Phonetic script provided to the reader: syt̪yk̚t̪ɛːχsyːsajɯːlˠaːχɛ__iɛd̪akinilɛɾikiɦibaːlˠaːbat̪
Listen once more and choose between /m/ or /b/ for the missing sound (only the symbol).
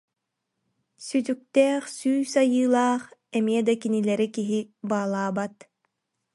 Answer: m